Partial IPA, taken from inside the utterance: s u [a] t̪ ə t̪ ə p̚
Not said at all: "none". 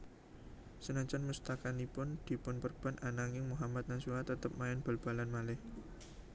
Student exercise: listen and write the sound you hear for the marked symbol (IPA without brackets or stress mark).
a